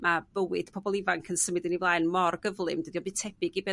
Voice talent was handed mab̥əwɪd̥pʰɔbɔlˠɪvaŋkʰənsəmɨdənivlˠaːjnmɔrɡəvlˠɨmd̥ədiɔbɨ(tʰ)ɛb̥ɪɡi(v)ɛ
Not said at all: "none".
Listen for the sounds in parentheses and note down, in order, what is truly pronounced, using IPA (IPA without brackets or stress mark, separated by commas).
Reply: tʰ, b